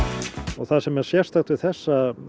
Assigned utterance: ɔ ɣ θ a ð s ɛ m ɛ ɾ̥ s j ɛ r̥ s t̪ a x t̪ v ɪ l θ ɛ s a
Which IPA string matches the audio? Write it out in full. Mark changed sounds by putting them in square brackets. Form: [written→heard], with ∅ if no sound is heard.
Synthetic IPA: ɔ ɣ θ a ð s ɛ m ɛ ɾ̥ s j ɛ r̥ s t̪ a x t̪ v ɪ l θ ɛ [s→sː] a